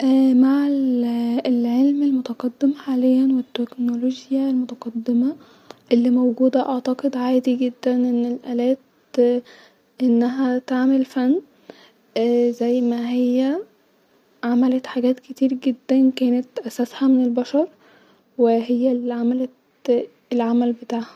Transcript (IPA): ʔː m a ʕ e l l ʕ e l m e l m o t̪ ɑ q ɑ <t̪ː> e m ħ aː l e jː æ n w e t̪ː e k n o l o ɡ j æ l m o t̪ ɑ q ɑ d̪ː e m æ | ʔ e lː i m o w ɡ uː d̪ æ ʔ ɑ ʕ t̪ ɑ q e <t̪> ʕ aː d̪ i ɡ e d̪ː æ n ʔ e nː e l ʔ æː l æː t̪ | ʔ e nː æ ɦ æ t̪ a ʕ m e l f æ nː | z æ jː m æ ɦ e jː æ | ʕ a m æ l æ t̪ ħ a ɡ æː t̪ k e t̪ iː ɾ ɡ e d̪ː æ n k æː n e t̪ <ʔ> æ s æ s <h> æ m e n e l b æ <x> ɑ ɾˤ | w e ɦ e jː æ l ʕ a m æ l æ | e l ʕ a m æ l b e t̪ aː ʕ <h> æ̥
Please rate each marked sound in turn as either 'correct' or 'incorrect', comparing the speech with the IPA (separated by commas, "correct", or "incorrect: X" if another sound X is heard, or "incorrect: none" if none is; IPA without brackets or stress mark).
incorrect: d̪ː, incorrect: d̪, correct, correct, incorrect: ʃ, correct